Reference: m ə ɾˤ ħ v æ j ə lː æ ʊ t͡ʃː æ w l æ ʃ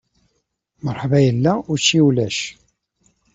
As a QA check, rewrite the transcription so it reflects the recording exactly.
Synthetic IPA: m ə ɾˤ ħ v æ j ə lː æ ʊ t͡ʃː i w l æ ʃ